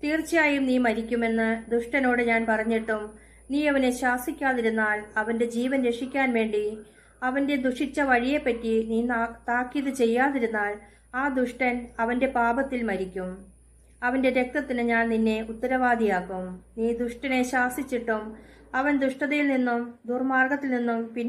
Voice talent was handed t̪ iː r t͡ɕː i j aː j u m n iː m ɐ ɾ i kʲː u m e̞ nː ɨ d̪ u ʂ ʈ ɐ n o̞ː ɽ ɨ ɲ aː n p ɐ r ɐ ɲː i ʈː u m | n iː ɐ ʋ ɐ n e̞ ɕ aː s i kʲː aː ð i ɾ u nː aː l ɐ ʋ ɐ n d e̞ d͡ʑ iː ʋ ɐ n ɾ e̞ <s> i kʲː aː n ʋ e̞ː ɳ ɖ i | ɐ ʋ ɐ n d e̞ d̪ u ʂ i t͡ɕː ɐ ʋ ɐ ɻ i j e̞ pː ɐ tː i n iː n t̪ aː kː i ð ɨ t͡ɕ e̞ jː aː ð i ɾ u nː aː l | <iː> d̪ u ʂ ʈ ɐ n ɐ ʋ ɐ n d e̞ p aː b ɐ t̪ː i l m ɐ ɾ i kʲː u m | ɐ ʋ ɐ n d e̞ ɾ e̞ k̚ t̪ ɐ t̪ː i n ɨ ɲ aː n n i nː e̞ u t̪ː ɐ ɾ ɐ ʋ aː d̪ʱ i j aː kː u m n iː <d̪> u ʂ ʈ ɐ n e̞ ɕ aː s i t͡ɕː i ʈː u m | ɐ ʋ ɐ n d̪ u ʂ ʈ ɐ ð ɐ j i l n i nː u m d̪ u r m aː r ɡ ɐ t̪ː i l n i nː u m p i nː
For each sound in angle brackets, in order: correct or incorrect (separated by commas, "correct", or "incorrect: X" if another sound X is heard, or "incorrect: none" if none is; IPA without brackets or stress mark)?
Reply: incorrect: ʂ, incorrect: aː, correct